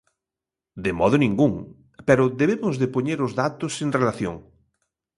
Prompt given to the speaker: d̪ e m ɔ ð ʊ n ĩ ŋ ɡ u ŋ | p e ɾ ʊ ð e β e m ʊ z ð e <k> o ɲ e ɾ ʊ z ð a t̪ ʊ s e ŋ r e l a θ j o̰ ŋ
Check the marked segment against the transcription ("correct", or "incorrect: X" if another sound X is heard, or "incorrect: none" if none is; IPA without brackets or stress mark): incorrect: p